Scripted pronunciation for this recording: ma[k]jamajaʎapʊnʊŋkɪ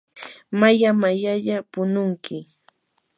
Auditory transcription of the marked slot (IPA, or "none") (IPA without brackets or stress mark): none